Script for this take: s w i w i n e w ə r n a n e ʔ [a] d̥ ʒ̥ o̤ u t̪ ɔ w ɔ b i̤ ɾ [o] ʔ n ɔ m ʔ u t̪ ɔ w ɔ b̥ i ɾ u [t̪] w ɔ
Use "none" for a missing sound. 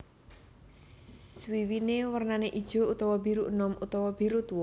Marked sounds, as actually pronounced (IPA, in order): i, u, t̪

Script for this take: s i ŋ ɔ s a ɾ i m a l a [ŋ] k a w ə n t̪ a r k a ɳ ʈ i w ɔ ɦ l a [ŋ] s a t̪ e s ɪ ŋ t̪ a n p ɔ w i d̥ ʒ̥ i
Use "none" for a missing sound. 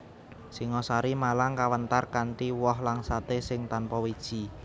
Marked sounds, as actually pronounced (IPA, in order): ŋ, ŋ

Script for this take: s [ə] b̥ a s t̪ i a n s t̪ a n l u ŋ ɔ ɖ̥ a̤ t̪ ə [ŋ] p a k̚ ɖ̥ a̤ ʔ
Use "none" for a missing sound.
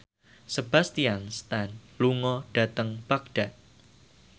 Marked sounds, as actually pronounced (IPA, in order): ə, ŋ

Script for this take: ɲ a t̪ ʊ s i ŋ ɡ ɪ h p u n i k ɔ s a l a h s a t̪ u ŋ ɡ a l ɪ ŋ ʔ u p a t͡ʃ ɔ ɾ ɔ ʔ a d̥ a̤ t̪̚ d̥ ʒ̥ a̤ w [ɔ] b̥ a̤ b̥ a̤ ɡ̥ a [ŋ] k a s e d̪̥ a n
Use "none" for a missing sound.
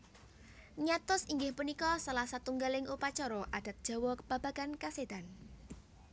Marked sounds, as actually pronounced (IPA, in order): ɔ, n

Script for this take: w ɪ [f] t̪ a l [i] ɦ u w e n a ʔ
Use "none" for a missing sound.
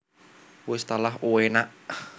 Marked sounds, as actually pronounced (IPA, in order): s, a

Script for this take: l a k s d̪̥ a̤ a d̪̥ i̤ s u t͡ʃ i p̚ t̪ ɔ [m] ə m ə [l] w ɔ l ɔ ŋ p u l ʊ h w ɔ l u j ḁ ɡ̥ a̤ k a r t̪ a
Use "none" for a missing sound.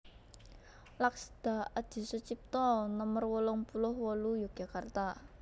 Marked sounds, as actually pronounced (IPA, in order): n, r

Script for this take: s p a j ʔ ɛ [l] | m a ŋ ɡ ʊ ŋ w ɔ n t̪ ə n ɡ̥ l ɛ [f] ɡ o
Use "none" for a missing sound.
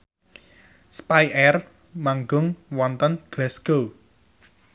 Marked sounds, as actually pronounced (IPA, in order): r, s

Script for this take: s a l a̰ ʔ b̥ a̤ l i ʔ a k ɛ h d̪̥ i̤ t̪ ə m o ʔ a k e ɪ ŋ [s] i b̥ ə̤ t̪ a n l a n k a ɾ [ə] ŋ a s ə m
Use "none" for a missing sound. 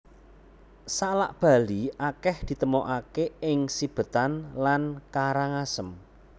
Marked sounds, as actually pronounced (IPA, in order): s, a

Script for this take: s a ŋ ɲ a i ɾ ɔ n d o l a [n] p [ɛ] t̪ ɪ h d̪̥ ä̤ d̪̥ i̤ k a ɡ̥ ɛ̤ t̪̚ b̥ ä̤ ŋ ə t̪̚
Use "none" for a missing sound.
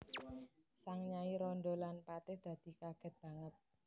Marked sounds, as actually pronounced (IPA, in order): n, a

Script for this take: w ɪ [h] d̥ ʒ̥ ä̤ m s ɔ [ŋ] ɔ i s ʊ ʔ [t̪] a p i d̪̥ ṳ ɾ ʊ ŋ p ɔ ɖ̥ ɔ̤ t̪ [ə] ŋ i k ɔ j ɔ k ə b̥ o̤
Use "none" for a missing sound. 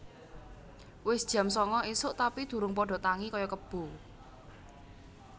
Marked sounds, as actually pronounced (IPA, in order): s, ŋ, t̪, a

